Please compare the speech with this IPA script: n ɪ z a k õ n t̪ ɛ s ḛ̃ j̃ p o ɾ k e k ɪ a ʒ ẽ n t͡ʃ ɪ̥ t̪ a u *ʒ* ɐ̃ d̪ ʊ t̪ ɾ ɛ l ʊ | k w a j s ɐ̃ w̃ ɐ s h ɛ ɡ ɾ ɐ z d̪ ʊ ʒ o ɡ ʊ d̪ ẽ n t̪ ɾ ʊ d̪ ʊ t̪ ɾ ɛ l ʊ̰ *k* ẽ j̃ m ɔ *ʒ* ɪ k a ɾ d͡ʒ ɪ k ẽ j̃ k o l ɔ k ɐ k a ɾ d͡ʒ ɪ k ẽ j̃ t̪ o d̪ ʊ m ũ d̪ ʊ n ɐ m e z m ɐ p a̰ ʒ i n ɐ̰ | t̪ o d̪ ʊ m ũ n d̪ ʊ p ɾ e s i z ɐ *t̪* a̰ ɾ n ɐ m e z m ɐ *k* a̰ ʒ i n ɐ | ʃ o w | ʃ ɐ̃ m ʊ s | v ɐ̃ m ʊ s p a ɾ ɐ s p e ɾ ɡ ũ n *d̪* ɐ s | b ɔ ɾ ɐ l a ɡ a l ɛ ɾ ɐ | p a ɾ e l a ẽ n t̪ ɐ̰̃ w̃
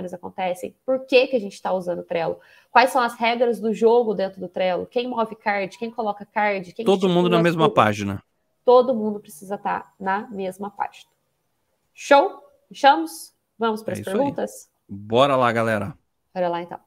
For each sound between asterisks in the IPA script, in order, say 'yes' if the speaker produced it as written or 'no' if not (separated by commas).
no, yes, no, yes, no, no